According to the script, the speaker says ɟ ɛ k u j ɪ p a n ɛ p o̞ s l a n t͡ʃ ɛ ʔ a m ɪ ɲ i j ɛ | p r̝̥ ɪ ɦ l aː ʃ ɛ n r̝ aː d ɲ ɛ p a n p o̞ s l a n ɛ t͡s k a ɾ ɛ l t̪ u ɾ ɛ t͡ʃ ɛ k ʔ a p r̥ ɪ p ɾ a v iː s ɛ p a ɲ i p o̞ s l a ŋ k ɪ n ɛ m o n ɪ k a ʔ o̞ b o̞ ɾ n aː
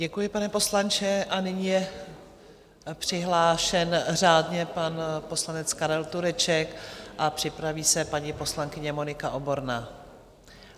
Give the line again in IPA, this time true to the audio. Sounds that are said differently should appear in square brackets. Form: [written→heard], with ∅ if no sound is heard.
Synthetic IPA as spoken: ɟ ɛ k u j ɪ p a n ɛ p o̞ s l a n t͡ʃ ɛ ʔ a [m→n] ɪ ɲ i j ɛ | p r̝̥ ɪ ɦ l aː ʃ ɛ n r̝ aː d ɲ ɛ p a n p o̞ s l a n ɛ t͡s k a ɾ ɛ l t̪ u ɾ ɛ t͡ʃ ɛ k ʔ a p r̥ ɪ p ɾ a v iː s ɛ p a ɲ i p o̞ s l a ŋ k ɪ [n→ɲ] ɛ m o n ɪ k a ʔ o̞ b o̞ ɾ n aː

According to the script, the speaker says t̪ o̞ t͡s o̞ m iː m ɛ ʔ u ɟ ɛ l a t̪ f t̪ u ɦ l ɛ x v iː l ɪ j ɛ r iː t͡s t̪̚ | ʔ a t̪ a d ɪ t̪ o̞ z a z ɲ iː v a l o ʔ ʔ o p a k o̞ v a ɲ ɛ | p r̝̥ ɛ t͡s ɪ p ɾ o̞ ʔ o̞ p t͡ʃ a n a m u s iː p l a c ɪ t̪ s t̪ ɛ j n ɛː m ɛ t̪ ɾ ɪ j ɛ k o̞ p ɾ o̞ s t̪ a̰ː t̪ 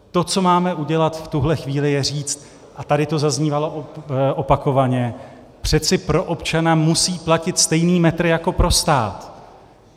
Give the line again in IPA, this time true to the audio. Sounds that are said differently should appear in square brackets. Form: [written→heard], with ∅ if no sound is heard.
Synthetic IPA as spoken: t̪ o̞ t͡s o̞ m [iː→aː] m ɛ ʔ u ɟ ɛ l a t̪ f t̪ u ɦ l ɛ x v iː l ɪ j ɛ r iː t͡s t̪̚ | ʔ a t̪ a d ɪ t̪ o̞ z a z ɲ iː v a l o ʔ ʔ o p a k o̞ v a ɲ ɛ | p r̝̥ ɛ t͡s ɪ p ɾ o̞ ʔ o̞ p t͡ʃ a n a m u s iː p l a c ɪ t̪ s t̪ ɛ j n [ɛː→iː] m ɛ t̪ ɾ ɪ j [ɛ→a] k o̞ p ɾ o̞ s t̪ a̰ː t̪

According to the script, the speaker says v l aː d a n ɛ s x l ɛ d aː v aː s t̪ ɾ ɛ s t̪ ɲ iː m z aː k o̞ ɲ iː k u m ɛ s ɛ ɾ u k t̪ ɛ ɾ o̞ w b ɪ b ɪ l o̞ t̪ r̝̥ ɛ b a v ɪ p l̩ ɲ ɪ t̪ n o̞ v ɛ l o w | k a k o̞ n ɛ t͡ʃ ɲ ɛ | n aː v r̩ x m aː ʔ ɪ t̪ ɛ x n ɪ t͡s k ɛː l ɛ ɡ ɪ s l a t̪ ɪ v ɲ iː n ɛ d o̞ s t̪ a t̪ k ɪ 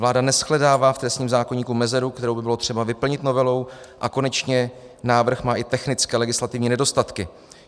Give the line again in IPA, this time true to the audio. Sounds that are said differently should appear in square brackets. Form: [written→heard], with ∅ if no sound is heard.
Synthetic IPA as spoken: v l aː d a n ɛ s x l ɛ d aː v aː [s→f] t̪ ɾ ɛ s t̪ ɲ iː m z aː k o̞ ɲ iː k u m ɛ [s→z] ɛ ɾ u k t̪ ɛ ɾ o̞ w b ɪ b ɪ l o̞ t̪ r̝̥ ɛ b a v ɪ p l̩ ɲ ɪ t̪ n o̞ v ɛ l o w | [k→ʔ] a k o̞ n ɛ t͡ʃ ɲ ɛ | n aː v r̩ x m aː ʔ ɪ t̪ ɛ x n ɪ t͡s k ɛː l ɛ ɡ ɪ s l a t̪ ɪ v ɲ iː n ɛ d o̞ s t̪ a t̪ k ɪ

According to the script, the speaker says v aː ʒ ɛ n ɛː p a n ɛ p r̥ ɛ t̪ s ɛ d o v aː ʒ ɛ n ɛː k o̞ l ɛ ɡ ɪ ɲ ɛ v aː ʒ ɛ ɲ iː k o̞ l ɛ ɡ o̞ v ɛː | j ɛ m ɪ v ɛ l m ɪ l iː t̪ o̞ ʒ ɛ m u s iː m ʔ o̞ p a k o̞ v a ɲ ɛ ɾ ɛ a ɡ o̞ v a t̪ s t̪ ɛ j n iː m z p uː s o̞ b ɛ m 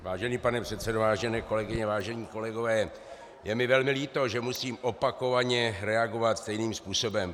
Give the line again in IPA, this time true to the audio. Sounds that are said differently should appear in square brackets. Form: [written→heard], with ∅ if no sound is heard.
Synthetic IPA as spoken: v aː ʒ ɛ n [ɛː→iː] p a n ɛ p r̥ ɛ t̪ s ɛ d o v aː ʒ ɛ n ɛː k o̞ l ɛ ɡ ɪ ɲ ɛ v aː ʒ ɛ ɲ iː k o̞ l ɛ ɡ o̞ v ɛː | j ɛ m ɪ v ɛ l m ɪ l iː t̪ o̞ ʒ ɛ m u s iː m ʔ o̞ p a k o̞ v a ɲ ɛ ɾ ɛ a ɡ o̞ v a t̪ s t̪ ɛ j n iː m [z→s] p uː s o̞ b ɛ m

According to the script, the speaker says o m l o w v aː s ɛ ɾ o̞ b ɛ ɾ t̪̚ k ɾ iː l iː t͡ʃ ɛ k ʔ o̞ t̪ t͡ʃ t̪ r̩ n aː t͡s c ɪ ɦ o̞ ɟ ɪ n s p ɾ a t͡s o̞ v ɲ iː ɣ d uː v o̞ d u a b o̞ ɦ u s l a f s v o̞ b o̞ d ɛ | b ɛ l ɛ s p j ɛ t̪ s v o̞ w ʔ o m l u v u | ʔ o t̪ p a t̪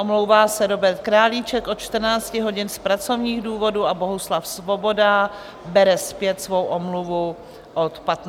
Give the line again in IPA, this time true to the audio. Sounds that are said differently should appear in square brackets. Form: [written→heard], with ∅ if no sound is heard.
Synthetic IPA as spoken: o m l o w v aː s ɛ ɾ o̞ b ɛ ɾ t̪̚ k ɾ [iː→aː] l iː t͡ʃ ɛ k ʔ o̞ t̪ t͡ʃ t̪ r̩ n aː t͡s c ɪ ɦ o̞ ɟ ɪ n s p ɾ a t͡s o̞ v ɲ iː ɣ d uː v o̞ d u a b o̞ ɦ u s l a f s v o̞ b o̞ d [ɛ→a] | b ɛ [l→ɾ] ɛ s p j ɛ t̪ s v o̞ w ʔ o m l u v u | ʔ o t̪ p a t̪

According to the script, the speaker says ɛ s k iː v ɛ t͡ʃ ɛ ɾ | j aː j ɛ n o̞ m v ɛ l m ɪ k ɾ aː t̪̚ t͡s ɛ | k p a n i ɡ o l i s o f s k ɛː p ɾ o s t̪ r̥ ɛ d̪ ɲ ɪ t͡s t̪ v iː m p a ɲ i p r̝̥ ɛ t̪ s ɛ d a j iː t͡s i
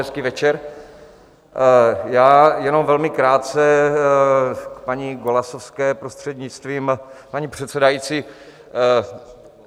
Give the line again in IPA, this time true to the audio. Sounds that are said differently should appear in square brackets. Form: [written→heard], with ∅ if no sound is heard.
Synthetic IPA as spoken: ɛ s k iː v ɛ t͡ʃ ɛ ɾ | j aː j ɛ n o̞ m v ɛ l m ɪ k ɾ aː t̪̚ t͡s ɛ | k p a [n→ɲ] i ɡ o l [i→a] s o f s k ɛː p ɾ o s t̪ r̥ ɛ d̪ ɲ ɪ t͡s t̪ v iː m p a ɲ i p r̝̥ ɛ t̪ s ɛ d a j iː t͡s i

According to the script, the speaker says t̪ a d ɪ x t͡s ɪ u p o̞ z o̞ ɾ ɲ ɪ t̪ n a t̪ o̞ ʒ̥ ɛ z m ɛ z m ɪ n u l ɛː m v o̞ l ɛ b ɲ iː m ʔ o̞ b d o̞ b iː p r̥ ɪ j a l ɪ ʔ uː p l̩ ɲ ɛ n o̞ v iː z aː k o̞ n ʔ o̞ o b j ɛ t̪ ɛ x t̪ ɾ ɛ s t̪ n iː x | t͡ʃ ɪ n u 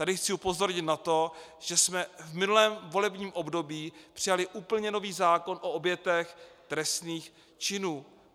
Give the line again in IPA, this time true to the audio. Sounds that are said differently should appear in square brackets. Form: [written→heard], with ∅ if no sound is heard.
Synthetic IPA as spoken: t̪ a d ɪ x t͡s ɪ u p o̞ z o̞ ɾ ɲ ɪ t̪ n a t̪ o̞ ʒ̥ ɛ [z→s] m ɛ [z→v] m ɪ n u l ɛː m v o̞ l ɛ b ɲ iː m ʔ o̞ b d o̞ b iː p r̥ ɪ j a l ɪ ʔ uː p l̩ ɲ ɛ n o̞ v iː z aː k o̞ n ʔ o̞ o b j ɛ t̪ ɛ x t̪ ɾ ɛ s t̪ n iː x | t͡ʃ ɪ n [u→uː]

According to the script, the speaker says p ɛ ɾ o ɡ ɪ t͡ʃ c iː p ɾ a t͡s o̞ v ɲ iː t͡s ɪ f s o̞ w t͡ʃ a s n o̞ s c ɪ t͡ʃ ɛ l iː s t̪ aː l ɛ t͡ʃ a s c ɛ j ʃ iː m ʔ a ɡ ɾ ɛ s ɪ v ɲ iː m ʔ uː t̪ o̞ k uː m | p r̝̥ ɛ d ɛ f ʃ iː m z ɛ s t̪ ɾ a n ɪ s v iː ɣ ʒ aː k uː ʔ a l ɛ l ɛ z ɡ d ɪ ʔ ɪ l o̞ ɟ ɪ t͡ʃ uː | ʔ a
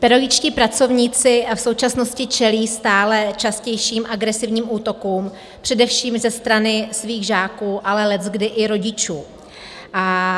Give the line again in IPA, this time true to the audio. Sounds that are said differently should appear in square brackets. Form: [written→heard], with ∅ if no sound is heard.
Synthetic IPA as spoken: p ɛ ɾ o ɡ ɪ t͡ʃ c iː p ɾ a t͡s o̞ v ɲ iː t͡s ɪ f s o̞ w t͡ʃ a s n o̞ s c ɪ t͡ʃ ɛ l iː s t̪ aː l ɛ t͡ʃ a s c ɛ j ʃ iː m ʔ a ɡ ɾ ɛ s ɪ v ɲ iː m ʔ uː t̪ o̞ k uː m | p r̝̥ ɛ d ɛ f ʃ iː m z ɛ s t̪ ɾ a n ɪ s v iː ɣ ʒ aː k uː ʔ a l ɛ l ɛ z ɡ d ɪ ʔ ɪ [l→ɾ] o̞ ɟ ɪ t͡ʃ uː | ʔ a

